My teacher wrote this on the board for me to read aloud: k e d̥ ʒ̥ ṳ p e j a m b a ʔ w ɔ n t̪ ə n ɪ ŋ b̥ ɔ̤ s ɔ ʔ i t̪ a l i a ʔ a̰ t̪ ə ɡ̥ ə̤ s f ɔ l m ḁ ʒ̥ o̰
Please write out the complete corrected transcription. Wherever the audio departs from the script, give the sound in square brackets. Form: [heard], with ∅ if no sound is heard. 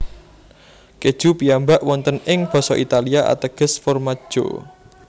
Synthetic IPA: k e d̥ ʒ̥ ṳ p [i] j a m b a ʔ w ɔ n t̪ ə n ɪ ŋ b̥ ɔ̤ s ɔ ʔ i t̪ a l i a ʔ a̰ t̪ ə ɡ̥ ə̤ s f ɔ [r] m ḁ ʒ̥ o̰